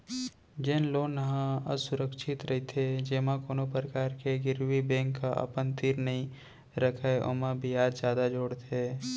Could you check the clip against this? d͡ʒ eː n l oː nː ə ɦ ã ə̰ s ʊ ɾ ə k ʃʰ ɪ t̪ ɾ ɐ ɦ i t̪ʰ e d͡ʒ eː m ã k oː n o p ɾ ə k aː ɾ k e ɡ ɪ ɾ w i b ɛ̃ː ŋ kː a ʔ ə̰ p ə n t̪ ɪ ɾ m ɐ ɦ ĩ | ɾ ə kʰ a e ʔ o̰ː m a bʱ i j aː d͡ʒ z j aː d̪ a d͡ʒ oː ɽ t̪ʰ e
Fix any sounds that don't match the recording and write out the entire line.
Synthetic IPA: d͡ʒ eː n l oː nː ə ɦ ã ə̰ s ʊ ɾ ə k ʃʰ ɪ t̪ ɾ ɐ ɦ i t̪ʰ e d͡ʒ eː m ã k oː n o p ɾ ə k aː ɾ k e ɡ ɪ ɾ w i b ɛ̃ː ŋ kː a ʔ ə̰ p ə n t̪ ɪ ɾ n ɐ ɦ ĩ | ɾ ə kʰ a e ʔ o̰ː m a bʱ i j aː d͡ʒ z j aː d̪ a d͡ʒ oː ɽ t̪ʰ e